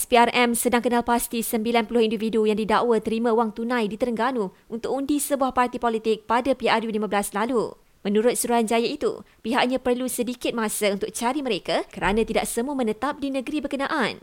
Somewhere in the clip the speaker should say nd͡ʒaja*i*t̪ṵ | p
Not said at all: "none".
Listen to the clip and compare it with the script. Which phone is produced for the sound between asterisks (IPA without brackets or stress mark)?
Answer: i